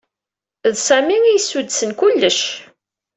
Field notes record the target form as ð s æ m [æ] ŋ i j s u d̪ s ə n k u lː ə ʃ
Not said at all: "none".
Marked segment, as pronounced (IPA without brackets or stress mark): i